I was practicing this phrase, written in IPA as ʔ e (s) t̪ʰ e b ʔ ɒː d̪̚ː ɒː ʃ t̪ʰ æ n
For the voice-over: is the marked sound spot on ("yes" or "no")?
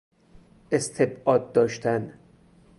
yes